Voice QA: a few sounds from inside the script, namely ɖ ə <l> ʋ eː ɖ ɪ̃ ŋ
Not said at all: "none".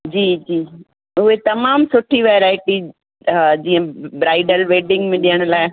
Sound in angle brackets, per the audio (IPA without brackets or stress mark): l